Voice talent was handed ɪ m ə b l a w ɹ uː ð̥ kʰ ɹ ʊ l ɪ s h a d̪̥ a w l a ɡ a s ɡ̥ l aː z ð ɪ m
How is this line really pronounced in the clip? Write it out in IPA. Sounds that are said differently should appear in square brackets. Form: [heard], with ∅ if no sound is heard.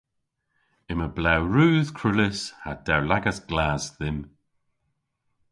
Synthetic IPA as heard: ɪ m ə b l a w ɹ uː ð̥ kʰ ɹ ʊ l ɪ s h a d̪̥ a w l a ɡ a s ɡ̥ l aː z ð ɪ m